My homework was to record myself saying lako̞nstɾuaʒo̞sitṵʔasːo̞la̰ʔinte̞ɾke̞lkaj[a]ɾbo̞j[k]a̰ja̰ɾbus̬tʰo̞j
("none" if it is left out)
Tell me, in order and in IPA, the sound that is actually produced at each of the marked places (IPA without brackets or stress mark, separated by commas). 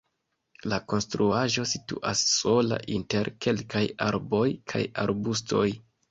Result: a, kʰ